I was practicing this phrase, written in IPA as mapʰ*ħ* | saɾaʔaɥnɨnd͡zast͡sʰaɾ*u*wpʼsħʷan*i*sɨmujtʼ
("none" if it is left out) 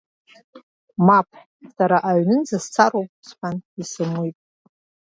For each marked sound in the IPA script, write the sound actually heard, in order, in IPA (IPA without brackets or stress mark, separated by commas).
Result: ħ, o, i